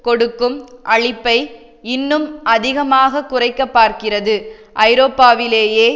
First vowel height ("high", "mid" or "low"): mid